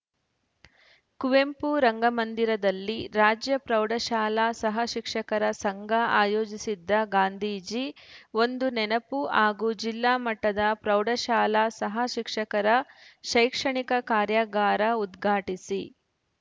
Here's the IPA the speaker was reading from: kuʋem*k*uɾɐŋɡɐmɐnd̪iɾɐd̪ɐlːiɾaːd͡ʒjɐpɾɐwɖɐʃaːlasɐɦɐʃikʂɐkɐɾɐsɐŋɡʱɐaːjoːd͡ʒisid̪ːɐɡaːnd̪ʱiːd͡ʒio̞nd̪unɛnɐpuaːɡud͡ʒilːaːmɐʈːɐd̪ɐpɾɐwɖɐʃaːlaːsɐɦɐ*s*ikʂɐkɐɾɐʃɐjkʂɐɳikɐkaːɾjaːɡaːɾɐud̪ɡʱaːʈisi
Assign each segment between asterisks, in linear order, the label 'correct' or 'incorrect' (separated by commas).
incorrect, incorrect